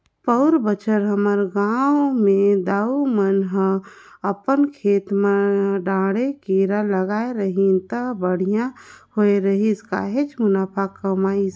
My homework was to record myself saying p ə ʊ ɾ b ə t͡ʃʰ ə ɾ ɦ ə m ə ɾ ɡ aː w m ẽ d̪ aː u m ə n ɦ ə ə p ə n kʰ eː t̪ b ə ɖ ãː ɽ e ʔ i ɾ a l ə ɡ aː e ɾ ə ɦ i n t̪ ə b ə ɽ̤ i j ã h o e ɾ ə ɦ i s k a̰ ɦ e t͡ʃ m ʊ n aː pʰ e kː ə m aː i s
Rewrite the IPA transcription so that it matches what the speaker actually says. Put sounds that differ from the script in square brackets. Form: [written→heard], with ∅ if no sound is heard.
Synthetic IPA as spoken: p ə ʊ ɾ b ə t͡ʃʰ ə ɾ ɦ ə m ə ɾ ɡ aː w m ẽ d̪ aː u m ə n ɦ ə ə p ə n kʰ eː t̪ [b→m] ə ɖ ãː ɽ e [ʔ→k] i ɾ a l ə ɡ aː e ɾ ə ɦ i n t̪ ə b ə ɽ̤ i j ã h o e ɾ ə ɦ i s k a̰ ɦ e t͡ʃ m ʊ n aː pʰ [e→a] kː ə m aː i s